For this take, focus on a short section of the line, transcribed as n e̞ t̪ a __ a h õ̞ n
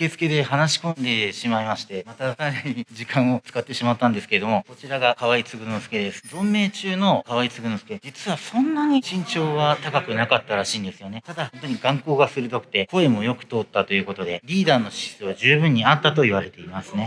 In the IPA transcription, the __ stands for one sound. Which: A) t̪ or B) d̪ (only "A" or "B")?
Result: B